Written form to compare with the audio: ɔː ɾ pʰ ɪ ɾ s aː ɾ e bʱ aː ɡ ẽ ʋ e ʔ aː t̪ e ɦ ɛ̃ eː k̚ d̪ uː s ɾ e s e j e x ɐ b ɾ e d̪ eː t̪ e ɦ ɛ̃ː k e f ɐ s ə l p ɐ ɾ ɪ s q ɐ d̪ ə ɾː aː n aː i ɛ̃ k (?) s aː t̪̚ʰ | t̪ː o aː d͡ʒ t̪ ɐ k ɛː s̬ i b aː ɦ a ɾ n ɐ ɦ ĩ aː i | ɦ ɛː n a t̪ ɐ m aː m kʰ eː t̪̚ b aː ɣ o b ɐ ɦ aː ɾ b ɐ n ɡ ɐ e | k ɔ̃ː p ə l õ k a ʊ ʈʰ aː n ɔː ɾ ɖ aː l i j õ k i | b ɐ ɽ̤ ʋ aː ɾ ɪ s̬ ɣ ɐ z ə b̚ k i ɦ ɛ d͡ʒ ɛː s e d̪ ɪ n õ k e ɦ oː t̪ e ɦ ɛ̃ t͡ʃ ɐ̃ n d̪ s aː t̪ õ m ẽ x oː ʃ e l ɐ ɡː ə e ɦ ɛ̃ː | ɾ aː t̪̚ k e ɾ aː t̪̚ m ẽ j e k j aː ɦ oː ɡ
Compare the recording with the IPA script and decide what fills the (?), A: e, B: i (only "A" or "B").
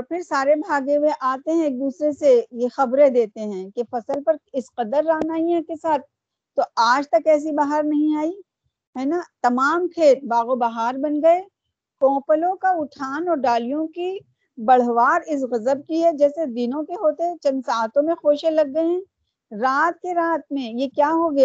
A